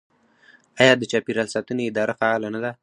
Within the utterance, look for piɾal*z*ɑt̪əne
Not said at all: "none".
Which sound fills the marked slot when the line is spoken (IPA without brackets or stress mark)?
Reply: s